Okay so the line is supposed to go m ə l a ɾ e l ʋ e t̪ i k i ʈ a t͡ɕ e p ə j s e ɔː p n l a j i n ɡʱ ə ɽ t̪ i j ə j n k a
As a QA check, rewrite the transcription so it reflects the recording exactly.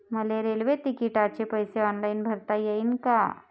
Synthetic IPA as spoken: m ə l e ɾ e l ʋ e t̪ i k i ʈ a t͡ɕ e p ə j s e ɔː n l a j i n bʱ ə ɾ t̪ a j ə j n k a